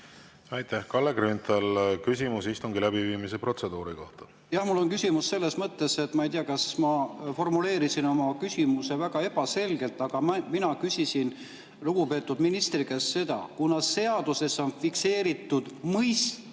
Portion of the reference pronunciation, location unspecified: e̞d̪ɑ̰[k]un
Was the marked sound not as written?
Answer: no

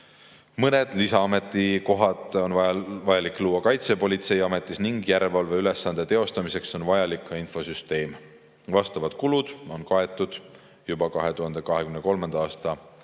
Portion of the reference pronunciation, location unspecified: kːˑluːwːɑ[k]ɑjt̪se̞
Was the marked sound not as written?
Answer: no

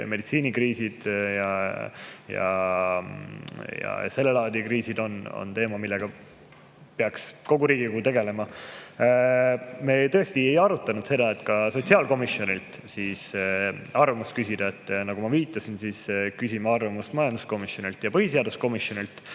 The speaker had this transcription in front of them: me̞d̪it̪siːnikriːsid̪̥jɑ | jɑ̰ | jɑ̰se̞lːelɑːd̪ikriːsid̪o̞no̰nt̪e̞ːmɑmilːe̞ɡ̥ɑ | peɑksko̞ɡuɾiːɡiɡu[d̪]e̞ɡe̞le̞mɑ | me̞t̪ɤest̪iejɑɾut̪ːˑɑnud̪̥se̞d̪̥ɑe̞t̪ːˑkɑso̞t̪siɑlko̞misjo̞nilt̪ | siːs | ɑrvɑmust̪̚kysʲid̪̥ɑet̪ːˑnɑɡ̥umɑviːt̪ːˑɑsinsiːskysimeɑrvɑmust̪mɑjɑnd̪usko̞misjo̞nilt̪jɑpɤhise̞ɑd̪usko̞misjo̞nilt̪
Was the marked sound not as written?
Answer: yes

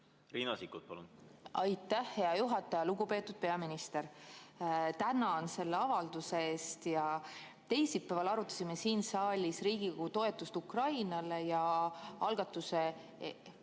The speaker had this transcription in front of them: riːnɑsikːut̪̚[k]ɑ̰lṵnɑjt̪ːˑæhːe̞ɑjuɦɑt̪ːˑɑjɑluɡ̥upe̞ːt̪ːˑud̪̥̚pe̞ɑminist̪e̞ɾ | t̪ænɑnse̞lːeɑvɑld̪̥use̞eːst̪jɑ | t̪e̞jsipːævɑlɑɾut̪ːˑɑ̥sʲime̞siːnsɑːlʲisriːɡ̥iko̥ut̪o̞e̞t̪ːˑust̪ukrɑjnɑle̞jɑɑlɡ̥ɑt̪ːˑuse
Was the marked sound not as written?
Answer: yes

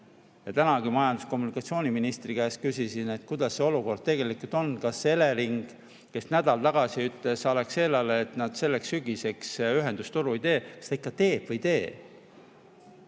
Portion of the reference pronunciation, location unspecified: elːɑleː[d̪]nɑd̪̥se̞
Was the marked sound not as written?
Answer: yes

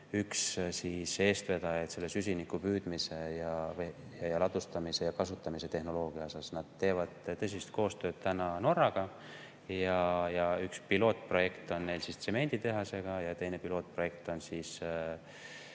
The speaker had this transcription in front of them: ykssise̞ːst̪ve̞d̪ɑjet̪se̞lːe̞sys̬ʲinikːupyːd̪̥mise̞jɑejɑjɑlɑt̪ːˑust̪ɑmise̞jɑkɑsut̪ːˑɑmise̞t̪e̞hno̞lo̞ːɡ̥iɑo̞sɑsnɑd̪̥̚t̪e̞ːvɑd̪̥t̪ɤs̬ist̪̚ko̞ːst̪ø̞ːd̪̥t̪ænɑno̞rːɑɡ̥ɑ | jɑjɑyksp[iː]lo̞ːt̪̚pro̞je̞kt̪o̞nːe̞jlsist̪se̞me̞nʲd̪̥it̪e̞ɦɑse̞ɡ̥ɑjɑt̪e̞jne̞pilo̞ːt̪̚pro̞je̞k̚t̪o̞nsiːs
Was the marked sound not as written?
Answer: yes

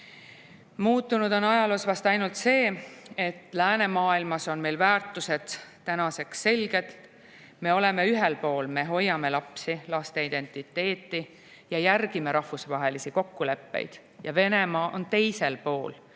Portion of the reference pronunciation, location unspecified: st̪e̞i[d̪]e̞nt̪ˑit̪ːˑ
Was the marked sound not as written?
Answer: no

